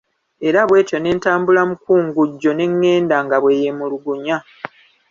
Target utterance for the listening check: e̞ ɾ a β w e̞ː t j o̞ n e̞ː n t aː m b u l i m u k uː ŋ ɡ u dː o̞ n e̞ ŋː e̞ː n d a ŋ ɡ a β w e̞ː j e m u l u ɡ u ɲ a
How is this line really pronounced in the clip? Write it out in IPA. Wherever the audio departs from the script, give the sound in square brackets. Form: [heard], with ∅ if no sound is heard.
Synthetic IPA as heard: e̞ ɾ a β w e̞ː t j o̞ n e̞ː n t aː m b u l [a] m u k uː ŋ ɡ u [ɟː] o̞ n e̞ ŋː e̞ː n d a ŋ ɡ a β w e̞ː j e m u l u ɡ u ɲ a